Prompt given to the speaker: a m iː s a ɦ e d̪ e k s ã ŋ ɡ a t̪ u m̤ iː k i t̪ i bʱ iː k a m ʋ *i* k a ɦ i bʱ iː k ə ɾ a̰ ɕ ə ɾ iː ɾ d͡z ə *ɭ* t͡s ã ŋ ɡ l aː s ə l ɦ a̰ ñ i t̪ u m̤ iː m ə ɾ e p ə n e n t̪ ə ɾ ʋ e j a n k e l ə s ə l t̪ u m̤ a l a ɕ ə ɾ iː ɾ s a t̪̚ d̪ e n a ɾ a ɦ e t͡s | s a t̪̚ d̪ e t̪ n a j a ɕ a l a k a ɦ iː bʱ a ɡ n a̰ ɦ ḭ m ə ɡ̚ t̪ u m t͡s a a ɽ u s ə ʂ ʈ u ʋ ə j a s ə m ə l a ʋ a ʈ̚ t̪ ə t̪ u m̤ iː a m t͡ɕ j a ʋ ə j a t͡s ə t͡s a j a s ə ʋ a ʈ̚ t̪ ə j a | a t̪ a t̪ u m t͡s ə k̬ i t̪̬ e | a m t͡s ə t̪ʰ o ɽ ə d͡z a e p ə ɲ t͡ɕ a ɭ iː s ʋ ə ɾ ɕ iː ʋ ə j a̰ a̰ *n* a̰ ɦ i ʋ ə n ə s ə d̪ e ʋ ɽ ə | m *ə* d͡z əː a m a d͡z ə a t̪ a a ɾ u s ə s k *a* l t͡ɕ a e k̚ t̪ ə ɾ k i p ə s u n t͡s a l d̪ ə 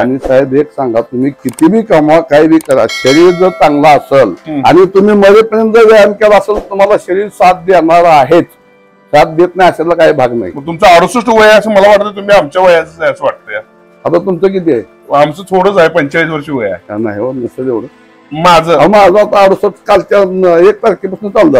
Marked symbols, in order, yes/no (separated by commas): no, no, yes, no, yes